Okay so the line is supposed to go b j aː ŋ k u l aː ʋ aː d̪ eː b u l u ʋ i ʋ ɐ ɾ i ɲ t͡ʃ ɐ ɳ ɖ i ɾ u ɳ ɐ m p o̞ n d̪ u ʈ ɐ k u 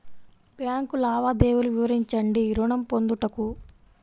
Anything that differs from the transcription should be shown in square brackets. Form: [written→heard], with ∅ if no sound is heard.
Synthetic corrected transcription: b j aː ŋ k u l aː ʋ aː d̪ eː [b→w] u l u ʋ i ʋ ɐ ɾ i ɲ t͡ʃ ɐ ɳ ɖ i ɾ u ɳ ɐ m p o̞ n d̪ u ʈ ɐ k u